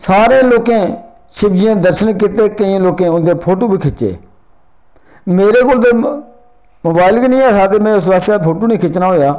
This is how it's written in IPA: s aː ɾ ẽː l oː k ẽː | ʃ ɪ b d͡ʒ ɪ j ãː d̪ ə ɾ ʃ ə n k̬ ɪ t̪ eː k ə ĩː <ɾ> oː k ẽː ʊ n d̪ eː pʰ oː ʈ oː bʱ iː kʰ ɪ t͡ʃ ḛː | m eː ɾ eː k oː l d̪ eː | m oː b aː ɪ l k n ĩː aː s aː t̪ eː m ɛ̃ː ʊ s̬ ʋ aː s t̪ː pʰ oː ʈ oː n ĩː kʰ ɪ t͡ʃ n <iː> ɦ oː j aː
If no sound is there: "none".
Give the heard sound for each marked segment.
l, aː

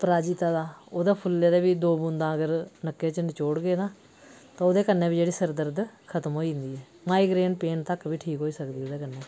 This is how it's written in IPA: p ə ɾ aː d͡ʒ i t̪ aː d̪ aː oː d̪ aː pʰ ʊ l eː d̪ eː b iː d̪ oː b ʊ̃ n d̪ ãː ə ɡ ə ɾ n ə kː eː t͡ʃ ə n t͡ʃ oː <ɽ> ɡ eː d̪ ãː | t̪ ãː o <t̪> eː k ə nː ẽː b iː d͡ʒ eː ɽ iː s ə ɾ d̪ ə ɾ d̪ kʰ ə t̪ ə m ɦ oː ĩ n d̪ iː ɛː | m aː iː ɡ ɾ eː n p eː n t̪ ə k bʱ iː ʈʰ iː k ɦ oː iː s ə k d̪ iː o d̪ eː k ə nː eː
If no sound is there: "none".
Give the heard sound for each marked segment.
ɽ, d̪

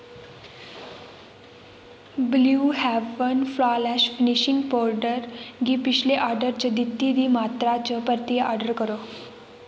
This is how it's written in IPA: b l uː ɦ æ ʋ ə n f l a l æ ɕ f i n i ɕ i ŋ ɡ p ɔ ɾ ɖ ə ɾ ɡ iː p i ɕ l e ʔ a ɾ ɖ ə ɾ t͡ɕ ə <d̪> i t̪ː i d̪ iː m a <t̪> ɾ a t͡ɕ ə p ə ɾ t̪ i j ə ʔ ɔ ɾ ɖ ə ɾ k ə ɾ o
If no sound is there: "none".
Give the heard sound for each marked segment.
d̪, t̪

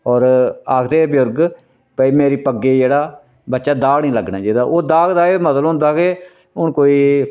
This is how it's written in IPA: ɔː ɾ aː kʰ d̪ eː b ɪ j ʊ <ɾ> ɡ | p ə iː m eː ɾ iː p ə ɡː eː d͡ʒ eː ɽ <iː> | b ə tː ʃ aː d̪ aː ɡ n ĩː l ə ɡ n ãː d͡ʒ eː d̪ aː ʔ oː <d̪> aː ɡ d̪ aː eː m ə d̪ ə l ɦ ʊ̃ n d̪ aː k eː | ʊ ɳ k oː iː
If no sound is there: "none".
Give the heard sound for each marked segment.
ɾ, aː, d̪

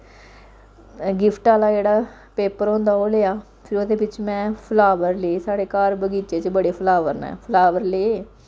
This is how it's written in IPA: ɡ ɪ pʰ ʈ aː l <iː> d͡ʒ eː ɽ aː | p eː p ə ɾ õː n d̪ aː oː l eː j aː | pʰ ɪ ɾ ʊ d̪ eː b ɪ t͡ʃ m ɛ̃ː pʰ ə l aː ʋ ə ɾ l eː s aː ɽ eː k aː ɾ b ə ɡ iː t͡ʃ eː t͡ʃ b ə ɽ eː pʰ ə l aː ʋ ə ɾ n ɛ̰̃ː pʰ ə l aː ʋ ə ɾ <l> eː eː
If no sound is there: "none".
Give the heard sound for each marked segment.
aː, l

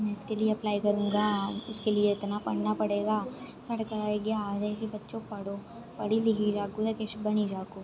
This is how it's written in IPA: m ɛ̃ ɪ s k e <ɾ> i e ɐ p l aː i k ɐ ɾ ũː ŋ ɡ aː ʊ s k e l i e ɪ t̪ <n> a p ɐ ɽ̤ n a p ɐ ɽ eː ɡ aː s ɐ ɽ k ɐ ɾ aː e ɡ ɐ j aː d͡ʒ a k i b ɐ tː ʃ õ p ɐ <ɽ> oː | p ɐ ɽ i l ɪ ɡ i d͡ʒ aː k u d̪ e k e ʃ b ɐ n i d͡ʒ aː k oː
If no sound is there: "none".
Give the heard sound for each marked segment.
l, n, ɽ

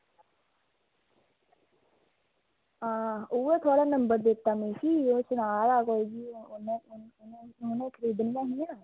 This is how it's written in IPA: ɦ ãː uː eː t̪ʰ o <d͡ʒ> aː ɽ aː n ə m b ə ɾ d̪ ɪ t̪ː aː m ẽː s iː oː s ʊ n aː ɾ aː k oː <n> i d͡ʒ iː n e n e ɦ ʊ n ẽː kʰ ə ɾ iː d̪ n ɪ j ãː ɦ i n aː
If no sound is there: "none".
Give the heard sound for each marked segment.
none, none

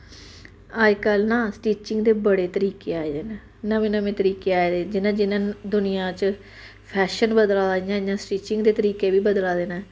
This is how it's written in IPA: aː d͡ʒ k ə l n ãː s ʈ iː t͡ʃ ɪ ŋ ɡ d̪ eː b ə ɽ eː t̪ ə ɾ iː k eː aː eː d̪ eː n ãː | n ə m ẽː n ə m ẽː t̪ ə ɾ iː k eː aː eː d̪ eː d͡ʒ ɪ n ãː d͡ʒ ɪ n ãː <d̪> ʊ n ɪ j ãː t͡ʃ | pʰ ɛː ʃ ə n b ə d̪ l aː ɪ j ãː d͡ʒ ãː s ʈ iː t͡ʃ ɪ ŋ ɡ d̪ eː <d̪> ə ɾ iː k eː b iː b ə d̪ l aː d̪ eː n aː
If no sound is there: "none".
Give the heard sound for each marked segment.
d̪, t̪

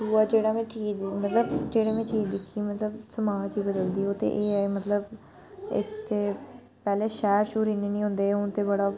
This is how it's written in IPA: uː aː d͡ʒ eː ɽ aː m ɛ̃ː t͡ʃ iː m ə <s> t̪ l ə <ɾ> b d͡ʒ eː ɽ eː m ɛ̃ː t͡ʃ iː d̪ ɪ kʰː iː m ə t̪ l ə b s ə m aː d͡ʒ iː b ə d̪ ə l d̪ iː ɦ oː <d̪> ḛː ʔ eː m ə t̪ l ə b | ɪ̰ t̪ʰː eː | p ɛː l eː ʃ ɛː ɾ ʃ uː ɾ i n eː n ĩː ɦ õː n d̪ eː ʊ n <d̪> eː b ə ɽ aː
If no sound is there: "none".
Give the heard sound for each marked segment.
none, none, t̪, t̪

